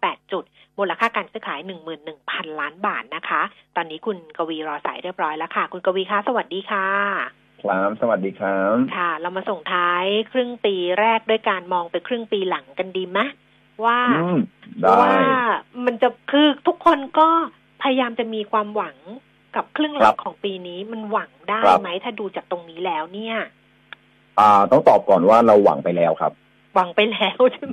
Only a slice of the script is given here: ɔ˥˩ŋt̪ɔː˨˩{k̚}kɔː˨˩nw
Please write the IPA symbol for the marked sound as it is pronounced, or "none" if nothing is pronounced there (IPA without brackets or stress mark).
p̚